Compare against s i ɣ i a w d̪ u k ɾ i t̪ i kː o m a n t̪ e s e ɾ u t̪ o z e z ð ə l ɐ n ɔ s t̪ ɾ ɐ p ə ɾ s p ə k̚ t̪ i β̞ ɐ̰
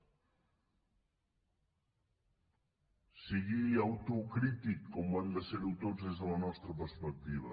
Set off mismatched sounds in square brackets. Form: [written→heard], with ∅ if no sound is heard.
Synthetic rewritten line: s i ɣ i a w [d̪→t̪] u k ɾ i t̪ i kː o m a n [t̪→d̪] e s e ɾ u t̪ o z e z ð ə l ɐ n ɔ s t̪ ɾ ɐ p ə ɾ s p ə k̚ t̪ i β̞ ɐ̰